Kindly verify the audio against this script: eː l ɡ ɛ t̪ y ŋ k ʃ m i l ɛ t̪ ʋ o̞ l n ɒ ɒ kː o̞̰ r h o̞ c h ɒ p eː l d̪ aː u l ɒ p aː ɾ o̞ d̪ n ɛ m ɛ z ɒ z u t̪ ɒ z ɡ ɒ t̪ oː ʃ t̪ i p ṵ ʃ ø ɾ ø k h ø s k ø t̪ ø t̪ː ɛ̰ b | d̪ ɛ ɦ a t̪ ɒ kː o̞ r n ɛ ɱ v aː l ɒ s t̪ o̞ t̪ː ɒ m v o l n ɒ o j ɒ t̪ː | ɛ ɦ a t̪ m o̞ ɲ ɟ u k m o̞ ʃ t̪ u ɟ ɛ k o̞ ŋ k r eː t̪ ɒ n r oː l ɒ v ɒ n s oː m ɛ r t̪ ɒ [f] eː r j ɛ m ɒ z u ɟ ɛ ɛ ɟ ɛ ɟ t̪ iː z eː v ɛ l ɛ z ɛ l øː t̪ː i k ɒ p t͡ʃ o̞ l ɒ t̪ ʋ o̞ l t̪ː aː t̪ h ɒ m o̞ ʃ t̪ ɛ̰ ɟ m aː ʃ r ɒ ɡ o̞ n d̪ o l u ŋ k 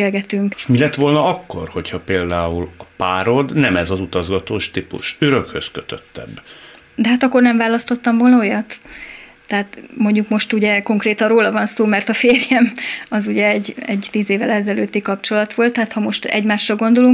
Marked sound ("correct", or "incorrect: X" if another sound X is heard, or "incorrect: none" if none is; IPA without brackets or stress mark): correct